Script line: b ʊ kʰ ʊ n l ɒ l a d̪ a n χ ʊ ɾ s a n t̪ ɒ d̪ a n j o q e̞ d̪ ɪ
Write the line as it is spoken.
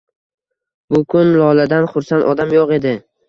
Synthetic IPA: b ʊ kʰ ʊ n l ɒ l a d̪ a n χ ʊ ɾ s a n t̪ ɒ d̪ a m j o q e̞ d̪ ɪ

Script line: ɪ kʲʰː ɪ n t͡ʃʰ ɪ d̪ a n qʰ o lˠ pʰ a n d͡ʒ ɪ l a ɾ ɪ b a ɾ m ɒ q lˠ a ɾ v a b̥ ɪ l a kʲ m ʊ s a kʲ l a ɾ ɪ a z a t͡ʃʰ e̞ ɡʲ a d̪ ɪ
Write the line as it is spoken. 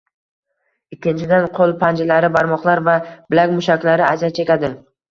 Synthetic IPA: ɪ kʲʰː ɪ n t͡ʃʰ ɪ d̪ a n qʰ o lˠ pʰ a n d͡ʒ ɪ l a ɾ ɪ b a ɾ m ɒ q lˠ a ɾ v a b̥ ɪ l a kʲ m ʊ ʃ a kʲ l a ɾ ɪ a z a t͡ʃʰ e̞ kʲ a d̪ ɪ

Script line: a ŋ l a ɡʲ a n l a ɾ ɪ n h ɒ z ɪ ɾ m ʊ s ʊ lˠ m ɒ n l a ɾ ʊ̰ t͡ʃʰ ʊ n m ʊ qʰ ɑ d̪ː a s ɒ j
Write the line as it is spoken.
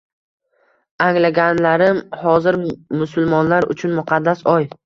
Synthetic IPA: a ŋ l a ɡʲ a n l a ɾ ɪ m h ɒ z ɪ ɾ m ʊ s ʊ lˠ m ɒ n l a ɾ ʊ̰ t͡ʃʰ ʊ n m ʊ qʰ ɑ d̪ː a s ɒ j

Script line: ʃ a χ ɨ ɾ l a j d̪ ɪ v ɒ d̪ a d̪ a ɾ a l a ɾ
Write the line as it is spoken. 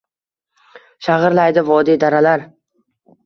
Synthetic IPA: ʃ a ʁ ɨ ɾ l a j d̪ ɪ v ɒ d̪ i d̪ a ɾ a l a ɾ

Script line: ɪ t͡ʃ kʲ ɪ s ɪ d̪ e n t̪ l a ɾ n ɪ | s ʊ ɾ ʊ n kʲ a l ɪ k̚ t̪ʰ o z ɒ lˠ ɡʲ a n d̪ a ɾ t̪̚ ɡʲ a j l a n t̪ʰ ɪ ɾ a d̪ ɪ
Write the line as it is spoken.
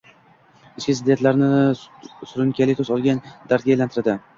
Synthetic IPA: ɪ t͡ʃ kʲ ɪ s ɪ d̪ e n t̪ l a ɾ n ɪ | s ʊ ɾ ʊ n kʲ a l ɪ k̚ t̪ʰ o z ɒ lˠ ɡʲ a n d̪ a ɾ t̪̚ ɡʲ a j l a n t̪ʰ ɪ ɾ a d̪ ɪ

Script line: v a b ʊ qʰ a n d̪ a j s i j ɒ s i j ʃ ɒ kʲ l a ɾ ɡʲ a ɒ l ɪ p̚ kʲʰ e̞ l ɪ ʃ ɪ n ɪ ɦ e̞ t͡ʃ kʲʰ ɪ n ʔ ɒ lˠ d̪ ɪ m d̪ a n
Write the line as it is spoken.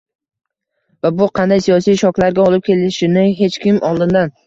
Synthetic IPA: v a b ʊ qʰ ɑ n d̪ a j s i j ɒ s i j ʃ ɒ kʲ l a ɾ ɡʲ a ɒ l ɪ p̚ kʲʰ e̞ l ɪ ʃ ɪ n ɪ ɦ e̞ t͡ʃ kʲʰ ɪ m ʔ ɒ lˠ d̪ ɪ n d̪ a n

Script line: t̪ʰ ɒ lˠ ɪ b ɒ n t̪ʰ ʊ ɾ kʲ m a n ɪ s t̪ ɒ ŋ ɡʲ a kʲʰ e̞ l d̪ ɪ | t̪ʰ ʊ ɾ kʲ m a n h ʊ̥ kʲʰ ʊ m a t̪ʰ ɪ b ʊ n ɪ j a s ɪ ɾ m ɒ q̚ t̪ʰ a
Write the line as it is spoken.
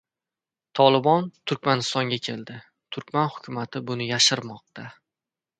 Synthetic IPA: t̪ʰ ɒ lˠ ɪ b ɒ n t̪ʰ ʊ ɾ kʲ m a n ɪ s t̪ ɒ ŋ ɡʲ a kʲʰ e̞ l d̪ ɪ | t̪ʰ ʊ ɾ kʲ m a n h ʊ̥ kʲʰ ʊ m a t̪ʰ ɪ b ʊ n ɪ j a ʃ ɪ ɾ m ɒ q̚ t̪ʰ a

